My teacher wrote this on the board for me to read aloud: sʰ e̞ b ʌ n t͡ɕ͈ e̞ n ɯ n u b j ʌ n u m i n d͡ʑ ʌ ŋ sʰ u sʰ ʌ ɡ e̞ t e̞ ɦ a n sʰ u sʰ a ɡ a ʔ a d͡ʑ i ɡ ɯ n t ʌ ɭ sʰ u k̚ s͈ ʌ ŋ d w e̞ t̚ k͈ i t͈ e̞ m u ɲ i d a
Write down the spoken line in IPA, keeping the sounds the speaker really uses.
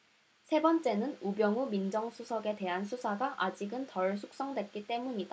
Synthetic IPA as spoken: sʰ e̞ b ʌ n t͡ɕ͈ e̞ n ɯ n u b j ʌ ŋ u m i n d͡ʑ ʌ ŋ sʰ u sʰ ʌ ɡ e̞ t e̞ ɦ a n sʰ u sʰ a ɡ a ʔ a d͡ʑ i ɡ ɯ n t ʌ ɭ sʰ u k̚ s͈ ʌ ŋ d w e̞ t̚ k͈ i t͈ e̞ m u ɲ i d a